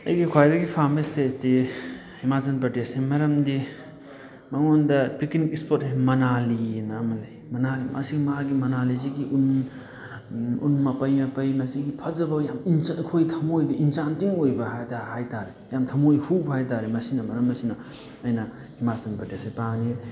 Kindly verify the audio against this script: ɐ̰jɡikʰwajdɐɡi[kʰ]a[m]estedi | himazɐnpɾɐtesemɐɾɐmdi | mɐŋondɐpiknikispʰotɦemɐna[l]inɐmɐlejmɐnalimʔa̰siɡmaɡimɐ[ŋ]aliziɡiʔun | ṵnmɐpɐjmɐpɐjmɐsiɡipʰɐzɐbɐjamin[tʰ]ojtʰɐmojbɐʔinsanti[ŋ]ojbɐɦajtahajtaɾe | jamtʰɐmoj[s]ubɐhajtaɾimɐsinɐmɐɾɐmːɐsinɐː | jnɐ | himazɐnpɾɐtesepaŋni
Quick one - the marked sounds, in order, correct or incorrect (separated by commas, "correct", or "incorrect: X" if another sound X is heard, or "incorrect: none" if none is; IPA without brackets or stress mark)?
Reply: incorrect: pʰ, correct, correct, incorrect: n, incorrect: kʰ, correct, incorrect: h